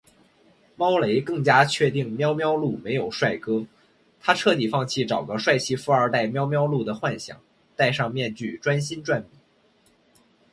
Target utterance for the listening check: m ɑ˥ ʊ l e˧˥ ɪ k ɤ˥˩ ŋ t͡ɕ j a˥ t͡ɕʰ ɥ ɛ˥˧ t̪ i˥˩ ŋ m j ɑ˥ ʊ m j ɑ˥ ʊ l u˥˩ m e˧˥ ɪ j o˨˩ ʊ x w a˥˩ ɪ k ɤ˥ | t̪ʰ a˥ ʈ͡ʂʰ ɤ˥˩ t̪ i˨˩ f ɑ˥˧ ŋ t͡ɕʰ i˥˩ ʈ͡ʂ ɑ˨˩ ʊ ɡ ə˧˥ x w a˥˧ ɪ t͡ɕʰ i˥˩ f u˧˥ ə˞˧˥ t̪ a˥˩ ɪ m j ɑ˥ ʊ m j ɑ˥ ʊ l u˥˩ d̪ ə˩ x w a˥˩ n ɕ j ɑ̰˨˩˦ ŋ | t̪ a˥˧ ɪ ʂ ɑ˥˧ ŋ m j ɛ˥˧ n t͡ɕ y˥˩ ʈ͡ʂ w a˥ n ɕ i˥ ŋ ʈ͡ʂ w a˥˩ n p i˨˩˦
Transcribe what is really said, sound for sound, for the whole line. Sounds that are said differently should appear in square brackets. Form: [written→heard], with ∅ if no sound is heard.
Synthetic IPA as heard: m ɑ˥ ʊ l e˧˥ ɪ k ɤ˥˩ ŋ t͡ɕ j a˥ t͡ɕʰ ɥ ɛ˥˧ t̪ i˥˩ ŋ m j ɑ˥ ʊ m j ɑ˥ ʊ l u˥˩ m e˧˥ ɪ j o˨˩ ʊ [x→ʂ] w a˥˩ ɪ k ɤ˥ | t̪ʰ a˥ ʈ͡ʂʰ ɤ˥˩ t̪ i˨˩ f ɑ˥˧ ŋ t͡ɕʰ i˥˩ ʈ͡ʂ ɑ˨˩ ʊ ɡ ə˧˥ [x→ʂ] w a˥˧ ɪ t͡ɕʰ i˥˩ f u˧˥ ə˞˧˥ t̪ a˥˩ ɪ m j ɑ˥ ʊ m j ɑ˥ ʊ l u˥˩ d̪ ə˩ x w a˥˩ n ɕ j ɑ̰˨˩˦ ŋ | t̪ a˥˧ ɪ ʂ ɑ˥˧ ŋ m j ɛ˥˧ n t͡ɕ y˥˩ ʈ͡ʂ w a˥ n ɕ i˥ [ŋ→n] ʈ͡ʂ w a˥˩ n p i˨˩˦